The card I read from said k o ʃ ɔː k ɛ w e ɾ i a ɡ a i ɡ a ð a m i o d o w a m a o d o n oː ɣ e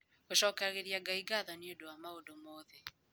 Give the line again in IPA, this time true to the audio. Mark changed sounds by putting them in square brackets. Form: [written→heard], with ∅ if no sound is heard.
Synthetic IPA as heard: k o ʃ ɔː k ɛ [w→ɣ] e ɾ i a ɡ a i ɡ a ð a [m→n] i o d o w a m a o d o [n→m] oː [ɣ→ð] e